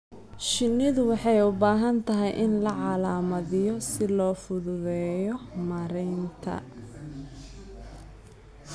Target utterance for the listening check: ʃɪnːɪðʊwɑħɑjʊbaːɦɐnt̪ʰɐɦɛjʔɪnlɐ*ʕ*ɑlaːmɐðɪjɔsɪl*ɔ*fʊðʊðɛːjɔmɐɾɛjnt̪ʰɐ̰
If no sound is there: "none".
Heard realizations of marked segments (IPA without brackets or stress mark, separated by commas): ʕ, ɔː